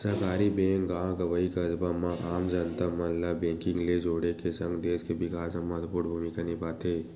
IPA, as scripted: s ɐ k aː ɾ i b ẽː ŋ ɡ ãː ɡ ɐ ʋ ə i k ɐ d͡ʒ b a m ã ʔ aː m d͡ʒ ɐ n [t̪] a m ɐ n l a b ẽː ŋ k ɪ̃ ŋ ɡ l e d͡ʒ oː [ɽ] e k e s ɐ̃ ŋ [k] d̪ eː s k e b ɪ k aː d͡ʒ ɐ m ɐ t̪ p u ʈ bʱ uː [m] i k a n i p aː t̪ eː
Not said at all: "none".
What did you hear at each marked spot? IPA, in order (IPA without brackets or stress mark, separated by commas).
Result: t̪, ɽ, ɡ, m